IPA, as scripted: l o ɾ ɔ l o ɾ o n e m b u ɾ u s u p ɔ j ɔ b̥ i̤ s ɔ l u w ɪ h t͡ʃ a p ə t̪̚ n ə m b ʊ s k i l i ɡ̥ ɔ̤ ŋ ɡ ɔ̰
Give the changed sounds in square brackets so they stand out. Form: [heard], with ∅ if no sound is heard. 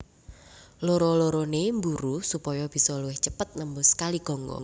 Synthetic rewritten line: l o ɾ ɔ l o ɾ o n e m b u ɾ u s u p ɔ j ɔ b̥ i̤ s ɔ l u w ɪ h t͡ʃ [ə] p ə t̪̚ n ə m b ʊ s k [a] l i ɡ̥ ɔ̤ ŋ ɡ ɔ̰